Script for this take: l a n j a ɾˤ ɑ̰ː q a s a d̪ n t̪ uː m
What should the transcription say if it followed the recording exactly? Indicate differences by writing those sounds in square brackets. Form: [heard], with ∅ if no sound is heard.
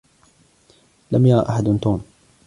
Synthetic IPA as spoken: l a [m] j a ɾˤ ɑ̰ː [ʔ] a [ħ] a d̪ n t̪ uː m